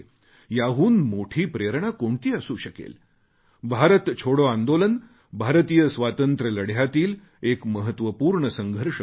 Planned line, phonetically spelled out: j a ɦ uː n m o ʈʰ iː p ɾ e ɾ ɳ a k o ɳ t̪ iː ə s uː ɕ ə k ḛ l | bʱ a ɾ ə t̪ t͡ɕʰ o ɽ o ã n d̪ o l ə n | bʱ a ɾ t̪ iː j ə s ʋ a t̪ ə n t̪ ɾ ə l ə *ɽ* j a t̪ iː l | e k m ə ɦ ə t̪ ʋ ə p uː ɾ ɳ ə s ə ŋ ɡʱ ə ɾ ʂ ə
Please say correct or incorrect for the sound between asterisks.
correct